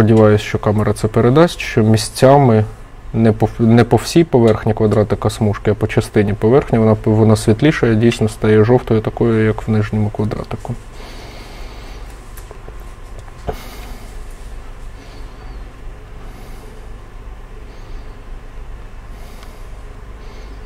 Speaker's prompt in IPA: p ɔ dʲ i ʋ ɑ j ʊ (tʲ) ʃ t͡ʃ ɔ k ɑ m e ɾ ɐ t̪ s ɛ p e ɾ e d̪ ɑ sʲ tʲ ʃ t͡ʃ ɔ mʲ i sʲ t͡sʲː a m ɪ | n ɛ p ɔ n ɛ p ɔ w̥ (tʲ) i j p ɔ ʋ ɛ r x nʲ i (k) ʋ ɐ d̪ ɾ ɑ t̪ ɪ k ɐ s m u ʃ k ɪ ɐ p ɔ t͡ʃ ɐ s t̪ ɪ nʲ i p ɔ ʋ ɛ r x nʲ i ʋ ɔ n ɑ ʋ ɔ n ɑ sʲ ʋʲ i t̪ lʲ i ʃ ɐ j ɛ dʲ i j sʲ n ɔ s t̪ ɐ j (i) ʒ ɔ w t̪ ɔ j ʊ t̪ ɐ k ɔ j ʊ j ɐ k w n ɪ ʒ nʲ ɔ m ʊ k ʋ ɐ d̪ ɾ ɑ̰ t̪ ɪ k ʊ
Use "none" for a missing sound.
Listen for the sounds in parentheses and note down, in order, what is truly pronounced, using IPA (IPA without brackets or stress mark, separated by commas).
sʲ, sʲ, k, ɛ